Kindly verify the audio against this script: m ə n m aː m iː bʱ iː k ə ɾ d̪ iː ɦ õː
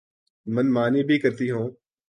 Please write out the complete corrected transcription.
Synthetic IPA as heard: m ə n m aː n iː bʱ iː k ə ɾ t̪ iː ɦ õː